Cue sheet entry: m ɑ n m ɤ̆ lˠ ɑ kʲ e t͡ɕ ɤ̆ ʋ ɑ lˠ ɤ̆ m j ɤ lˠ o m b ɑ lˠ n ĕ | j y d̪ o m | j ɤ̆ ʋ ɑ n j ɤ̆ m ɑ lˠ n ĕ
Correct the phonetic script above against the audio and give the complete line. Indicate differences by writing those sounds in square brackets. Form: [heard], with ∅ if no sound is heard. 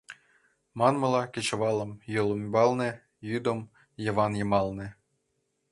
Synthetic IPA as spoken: m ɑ n m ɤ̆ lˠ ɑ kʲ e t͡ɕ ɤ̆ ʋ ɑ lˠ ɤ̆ m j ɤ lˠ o m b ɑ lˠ n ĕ | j y d̪ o m | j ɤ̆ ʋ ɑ n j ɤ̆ m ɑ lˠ n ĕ